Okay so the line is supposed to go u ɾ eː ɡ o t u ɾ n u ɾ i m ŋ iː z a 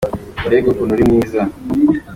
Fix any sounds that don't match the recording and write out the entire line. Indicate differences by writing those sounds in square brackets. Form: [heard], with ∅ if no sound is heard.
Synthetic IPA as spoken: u ɾ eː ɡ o [k] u [∅] n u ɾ i m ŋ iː z a